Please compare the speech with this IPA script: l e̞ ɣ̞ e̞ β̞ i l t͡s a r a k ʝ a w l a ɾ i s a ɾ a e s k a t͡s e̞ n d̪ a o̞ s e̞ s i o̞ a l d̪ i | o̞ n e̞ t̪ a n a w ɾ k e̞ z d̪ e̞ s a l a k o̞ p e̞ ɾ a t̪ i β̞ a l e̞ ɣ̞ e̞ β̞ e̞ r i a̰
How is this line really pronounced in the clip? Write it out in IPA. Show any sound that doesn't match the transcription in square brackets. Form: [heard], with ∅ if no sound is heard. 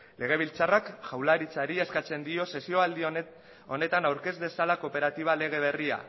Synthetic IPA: l e̞ ɣ̞ e̞ β̞ i l t͡s a r a k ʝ a w l a ɾ i [t͡s] a ɾ [i] e s k a t͡s e̞ n d̪ [i] o̞ s e̞ s i o̞ a l d̪ i | o̞ n e̞ t̪ a n a w ɾ k e̞ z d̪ e̞ s a l a k o̞ p e̞ ɾ a t̪ i β̞ a l e̞ ɣ̞ e̞ β̞ e̞ r i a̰